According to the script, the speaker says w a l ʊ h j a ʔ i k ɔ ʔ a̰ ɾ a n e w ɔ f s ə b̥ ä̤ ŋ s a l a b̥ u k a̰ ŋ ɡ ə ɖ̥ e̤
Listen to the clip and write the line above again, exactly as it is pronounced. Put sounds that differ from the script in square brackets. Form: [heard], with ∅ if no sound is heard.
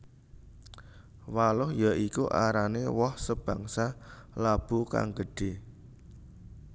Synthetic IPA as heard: w a l ʊ h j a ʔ i k [u] ʔ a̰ ɾ a n e w ɔ [h] s ə b̥ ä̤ ŋ s a l a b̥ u k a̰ ŋ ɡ ə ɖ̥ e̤